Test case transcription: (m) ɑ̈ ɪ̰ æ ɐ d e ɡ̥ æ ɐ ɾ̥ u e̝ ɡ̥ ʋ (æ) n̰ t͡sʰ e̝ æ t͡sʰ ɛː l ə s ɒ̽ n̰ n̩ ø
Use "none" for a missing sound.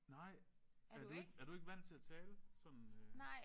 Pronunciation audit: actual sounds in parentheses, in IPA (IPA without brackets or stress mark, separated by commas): n, æ